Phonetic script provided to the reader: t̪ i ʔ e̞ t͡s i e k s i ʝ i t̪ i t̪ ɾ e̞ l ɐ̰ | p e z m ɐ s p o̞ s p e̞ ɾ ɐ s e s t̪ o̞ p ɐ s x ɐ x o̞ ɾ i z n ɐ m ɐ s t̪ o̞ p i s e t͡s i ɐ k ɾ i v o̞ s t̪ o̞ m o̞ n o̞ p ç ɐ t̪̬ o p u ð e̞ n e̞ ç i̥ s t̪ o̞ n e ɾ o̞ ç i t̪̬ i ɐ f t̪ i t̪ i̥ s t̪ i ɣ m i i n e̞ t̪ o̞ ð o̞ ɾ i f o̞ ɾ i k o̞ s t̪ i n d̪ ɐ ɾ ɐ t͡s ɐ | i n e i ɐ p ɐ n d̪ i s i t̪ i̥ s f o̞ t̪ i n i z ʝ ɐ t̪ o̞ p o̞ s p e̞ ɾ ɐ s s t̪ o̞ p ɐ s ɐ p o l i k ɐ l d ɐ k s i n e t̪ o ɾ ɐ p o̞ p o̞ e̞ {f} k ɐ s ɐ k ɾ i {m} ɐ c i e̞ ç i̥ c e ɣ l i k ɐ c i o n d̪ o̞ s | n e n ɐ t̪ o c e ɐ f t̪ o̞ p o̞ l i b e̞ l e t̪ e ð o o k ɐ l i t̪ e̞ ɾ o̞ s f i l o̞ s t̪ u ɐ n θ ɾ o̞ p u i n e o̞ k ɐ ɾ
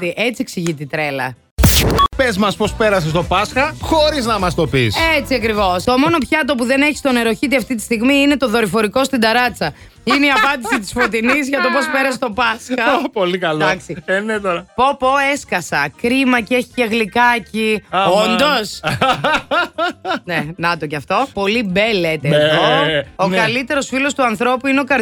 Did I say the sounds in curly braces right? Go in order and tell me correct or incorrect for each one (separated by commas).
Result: incorrect, correct